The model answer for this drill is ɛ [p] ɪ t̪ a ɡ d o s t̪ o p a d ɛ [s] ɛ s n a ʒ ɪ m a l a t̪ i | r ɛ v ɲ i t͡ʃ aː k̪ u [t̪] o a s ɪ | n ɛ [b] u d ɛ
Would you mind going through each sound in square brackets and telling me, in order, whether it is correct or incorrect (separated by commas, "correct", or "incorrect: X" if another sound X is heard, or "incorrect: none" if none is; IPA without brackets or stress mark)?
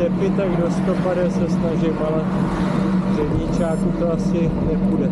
correct, correct, correct, incorrect: p